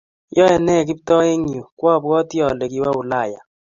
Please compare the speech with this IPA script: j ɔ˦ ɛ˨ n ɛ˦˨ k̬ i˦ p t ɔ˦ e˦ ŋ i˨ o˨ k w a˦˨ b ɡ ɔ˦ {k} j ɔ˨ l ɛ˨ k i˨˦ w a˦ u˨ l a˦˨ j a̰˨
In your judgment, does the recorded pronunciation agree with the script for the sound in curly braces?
no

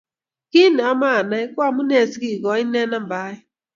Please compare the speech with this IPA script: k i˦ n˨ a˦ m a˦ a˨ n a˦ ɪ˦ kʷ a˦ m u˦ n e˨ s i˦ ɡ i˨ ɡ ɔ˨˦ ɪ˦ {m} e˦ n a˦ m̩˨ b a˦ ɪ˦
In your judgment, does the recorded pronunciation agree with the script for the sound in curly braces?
no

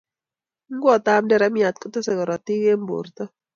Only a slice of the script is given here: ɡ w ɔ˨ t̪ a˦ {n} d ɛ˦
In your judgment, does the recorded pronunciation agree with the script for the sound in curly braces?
no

